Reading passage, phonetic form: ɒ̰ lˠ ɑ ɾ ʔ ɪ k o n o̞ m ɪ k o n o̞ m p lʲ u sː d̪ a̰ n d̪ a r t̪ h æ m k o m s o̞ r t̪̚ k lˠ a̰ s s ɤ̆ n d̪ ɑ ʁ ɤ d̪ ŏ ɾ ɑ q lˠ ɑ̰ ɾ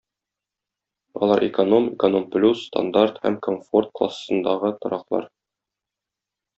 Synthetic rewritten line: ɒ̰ lˠ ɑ ɾ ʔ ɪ k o n o̞ m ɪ k o n o̞ m p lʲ u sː t̪ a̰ n d̪ a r t̪ h æ m k o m f o̞ r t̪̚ k lˠ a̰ s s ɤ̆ n d̪ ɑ ʁ ɤ t̪ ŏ ɾ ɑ q lˠ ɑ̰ ɾ